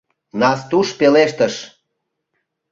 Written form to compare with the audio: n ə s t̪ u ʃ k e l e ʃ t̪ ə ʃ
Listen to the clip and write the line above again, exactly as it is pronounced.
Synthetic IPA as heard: n ɑ s t̪ u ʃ p e l e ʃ t̪ ə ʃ